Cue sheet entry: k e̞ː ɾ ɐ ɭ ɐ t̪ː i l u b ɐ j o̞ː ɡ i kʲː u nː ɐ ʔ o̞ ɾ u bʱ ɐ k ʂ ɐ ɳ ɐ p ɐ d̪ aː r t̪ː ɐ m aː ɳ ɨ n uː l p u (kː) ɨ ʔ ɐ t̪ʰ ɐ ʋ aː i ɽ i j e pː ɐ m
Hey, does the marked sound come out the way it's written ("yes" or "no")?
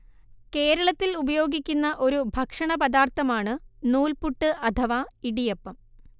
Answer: no